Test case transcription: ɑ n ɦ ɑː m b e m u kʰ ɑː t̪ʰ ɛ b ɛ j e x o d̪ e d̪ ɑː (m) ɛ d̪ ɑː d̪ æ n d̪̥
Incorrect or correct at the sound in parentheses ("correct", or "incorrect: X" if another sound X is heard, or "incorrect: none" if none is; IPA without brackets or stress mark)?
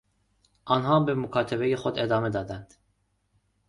correct